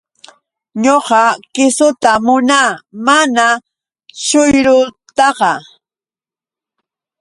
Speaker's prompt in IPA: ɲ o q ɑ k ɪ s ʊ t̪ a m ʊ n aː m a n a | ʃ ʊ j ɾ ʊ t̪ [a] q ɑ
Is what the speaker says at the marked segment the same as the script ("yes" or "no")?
no